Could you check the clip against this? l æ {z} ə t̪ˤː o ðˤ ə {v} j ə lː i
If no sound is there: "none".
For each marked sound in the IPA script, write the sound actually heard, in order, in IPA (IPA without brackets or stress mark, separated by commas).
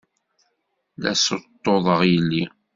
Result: s, ʁ